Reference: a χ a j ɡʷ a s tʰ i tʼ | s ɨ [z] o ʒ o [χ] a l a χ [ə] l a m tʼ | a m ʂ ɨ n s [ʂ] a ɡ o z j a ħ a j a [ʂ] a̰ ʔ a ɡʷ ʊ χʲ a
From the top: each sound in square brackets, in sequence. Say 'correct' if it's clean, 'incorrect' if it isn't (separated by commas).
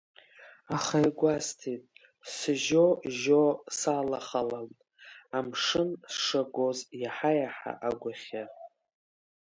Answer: incorrect, incorrect, incorrect, correct, incorrect